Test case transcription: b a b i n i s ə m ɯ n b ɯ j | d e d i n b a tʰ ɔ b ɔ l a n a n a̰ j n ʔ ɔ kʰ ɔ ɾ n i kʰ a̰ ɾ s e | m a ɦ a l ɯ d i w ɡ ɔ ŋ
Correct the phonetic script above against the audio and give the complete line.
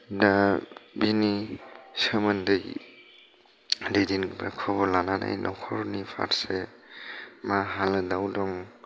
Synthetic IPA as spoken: d a b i n i s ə m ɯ n d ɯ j | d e d i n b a kʰ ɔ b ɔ l a n a n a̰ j n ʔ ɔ kʰ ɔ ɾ n i pʰ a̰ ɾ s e | m a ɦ a l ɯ d a w d ɔ ŋ

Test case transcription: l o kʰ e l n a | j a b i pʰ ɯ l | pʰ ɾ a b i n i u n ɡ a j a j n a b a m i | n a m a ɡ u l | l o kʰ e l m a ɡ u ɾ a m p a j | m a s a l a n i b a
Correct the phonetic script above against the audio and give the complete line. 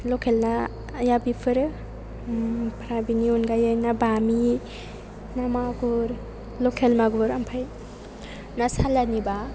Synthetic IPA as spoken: l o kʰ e l n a | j a b i pʰ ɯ ɾ | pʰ ɾ a b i n i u n ɡ a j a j n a b a m i | n a m a ɡ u ɾ | l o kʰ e l m a ɡ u ɾ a m pʰ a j | n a s a l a n i b a

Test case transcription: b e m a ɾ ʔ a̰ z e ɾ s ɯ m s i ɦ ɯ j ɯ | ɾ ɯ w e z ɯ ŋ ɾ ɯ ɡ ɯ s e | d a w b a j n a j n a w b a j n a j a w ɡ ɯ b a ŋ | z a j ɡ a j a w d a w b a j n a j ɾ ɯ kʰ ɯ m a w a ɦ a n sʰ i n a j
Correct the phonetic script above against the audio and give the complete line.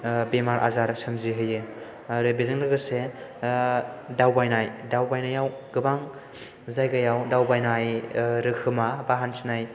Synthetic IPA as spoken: b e m a ɾ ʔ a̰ z a ɾ s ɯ m z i ɦ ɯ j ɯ | ɾ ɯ b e z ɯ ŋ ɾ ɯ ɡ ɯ s e | d a w b a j n a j d a w b a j n a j a w ɡ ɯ b a ŋ | z a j ɡ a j a w d a w b a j n a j ɾ ɯ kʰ ɯ m a b a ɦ a n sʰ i n a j

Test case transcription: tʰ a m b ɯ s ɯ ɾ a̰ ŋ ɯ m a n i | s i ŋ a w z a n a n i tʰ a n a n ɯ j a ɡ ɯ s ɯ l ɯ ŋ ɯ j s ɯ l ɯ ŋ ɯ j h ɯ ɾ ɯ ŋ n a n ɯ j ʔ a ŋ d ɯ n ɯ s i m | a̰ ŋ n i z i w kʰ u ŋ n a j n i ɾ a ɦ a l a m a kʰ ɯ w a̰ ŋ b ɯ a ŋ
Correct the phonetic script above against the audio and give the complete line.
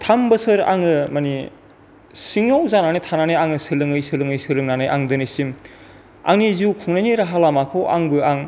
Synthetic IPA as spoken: tʰ a m b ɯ s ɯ ɾ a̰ ŋ ɯ m a n i | s i ŋ a w z a n a n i tʰ a n a n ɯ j a ŋ ɯ s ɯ l ɯ ŋ ɯ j s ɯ l ɯ ŋ ɯ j s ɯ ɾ ɯ ŋ n a n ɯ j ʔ a ŋ d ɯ n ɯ s i m | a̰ ŋ n i z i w kʰ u ŋ n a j n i ɾ a ɦ a l a m a kʰ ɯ w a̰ ŋ b ɯ a ŋ

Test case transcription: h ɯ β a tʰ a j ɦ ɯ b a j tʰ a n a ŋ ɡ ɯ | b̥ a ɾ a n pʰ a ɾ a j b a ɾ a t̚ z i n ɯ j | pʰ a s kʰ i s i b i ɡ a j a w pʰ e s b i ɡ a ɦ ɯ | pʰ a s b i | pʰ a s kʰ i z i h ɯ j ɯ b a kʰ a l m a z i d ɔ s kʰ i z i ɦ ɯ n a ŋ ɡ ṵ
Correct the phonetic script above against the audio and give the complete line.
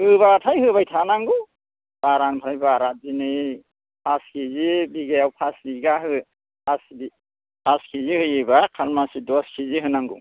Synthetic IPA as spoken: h ɯ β a tʰ a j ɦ ɯ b a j tʰ a n a ŋ ɡ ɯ | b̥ a ɾ a n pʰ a ɾ a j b a ɾ a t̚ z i n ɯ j | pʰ a s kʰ i z i b i ɡ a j a w pʰ a s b i ɡ a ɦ ɯ | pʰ a s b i | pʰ a s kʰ i z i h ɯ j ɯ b a kʰ a l m a s i d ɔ s kʰ i z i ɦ ɯ n a ŋ ɡ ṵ

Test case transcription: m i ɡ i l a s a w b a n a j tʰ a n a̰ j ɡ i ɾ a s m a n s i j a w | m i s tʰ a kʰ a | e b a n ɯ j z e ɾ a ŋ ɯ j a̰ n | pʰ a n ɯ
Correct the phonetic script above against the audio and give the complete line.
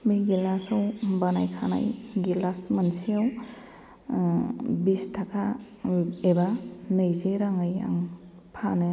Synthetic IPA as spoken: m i ɡ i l a s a w b a n a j kʰ a n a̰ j ɡ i l a s m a n s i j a w | b i s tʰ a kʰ a | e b a n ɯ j z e ɾ a ŋ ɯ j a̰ ŋ | pʰ a n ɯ

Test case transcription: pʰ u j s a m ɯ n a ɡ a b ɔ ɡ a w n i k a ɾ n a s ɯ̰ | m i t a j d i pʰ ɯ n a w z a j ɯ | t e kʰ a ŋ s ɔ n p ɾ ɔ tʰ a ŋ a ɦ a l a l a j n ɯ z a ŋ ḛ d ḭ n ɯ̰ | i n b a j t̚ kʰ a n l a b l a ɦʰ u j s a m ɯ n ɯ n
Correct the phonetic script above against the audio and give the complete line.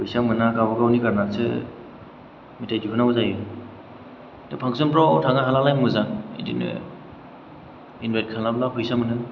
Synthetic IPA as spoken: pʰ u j s a m ɯ n a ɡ a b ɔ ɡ a w n i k a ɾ n a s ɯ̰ | m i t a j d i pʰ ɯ n a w z a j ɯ | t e pʰ a ŋ s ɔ n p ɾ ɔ tʰ a ŋ a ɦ a l a l a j m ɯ z a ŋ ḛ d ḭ n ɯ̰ | i n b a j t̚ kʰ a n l a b l a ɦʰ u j s a m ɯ n ɯ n

